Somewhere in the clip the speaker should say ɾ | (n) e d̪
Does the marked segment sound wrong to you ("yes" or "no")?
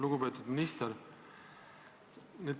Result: no